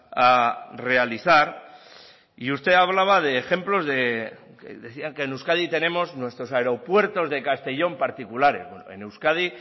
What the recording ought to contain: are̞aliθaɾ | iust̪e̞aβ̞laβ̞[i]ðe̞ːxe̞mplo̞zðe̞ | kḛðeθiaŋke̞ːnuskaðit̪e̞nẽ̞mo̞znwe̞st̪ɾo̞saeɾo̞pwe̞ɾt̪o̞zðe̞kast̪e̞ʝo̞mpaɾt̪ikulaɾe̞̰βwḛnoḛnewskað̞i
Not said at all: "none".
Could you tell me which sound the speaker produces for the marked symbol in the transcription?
a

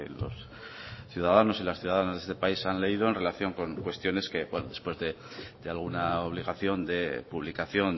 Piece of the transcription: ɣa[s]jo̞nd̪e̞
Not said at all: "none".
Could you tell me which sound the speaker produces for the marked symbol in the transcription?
θ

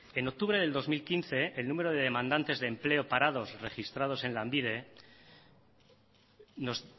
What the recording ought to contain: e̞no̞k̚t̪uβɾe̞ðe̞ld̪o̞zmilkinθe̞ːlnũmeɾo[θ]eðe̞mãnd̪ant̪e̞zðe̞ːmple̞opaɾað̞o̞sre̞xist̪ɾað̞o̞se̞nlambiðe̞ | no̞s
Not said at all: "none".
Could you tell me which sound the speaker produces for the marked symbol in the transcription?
ð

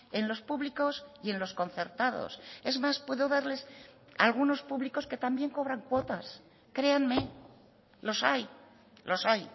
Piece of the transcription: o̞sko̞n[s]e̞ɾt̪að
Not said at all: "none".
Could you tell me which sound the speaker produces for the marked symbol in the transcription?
θ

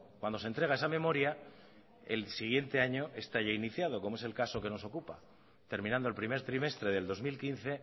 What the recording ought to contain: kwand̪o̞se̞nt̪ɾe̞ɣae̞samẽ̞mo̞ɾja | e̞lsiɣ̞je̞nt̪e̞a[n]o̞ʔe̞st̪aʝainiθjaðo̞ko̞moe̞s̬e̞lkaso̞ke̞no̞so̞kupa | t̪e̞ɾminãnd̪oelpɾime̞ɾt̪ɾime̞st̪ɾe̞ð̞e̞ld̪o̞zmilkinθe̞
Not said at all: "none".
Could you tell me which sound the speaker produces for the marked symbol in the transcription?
ɲ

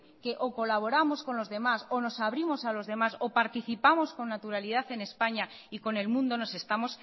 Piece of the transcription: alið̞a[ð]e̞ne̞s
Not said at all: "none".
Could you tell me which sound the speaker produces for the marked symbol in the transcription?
θ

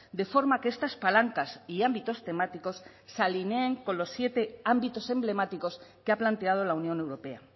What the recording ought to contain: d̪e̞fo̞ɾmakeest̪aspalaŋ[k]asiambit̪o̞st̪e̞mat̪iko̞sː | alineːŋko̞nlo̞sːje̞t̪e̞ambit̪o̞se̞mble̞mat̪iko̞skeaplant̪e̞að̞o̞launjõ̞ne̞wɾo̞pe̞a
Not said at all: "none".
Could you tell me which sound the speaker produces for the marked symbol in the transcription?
k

